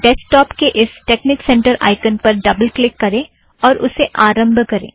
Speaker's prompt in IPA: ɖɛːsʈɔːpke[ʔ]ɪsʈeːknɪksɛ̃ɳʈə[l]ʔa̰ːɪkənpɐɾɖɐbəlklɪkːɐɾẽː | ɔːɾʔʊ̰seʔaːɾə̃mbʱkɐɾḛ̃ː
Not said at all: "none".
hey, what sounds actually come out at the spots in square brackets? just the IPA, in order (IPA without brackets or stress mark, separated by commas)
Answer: ʔ, ɾ